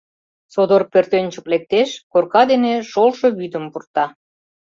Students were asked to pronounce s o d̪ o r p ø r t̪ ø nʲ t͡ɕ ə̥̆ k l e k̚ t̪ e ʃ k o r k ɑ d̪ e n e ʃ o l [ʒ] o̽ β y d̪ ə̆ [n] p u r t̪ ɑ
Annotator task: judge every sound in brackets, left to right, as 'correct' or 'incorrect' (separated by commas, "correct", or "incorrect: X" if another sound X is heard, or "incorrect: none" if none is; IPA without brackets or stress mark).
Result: incorrect: ʃ, incorrect: m